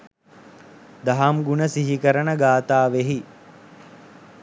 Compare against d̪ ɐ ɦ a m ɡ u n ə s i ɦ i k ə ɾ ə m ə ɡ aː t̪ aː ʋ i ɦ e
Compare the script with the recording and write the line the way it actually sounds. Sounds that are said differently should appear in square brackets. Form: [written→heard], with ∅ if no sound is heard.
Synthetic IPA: d̪ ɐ ɦ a m ɡ u n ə s i ɦ i k ə ɾ ə [m→n] ə ɡ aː t̪ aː ʋ [i→e] ɦ [e→i]